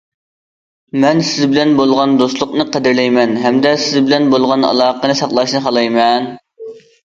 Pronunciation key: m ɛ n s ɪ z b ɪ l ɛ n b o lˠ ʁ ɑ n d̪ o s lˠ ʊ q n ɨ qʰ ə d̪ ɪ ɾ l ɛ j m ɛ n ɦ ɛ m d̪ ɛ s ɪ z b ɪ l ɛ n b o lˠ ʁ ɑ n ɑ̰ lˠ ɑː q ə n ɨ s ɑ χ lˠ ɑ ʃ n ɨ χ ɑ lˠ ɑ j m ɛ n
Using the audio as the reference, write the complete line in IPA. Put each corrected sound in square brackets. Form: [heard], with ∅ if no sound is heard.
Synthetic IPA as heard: m ɛ n s ɪ z b ɪ l ɛ n b o lˠ ʁ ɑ n d̪ o s lˠ ʊ q n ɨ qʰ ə d̪ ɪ ɾ l ɛ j m ɛ n ɦ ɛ m d̪ ɛ s ɪ z b ɪ l ɛ n b o lˠ ʁ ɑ n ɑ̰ lˠ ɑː q ə n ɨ s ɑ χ lˠ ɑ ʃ n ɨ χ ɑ lˠ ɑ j m ɛ n